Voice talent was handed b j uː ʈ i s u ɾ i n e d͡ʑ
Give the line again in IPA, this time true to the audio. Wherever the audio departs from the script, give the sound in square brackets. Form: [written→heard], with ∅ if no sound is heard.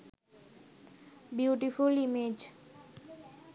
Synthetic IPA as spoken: b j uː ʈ i [s→f] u [ɾ→l] i [n→m] e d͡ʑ